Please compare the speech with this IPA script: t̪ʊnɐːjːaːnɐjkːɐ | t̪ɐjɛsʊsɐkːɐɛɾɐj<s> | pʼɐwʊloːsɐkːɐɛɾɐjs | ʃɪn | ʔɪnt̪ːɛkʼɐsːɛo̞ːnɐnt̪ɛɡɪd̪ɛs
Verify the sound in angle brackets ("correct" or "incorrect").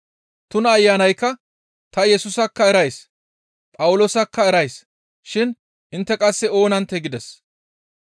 correct